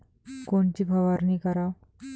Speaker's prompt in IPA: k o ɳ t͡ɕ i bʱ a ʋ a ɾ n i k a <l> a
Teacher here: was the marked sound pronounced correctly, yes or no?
no